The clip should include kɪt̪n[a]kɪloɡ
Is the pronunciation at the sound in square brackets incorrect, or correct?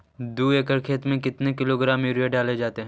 incorrect